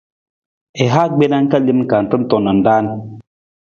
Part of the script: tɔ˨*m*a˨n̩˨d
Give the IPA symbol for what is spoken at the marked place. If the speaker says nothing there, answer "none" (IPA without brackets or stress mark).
n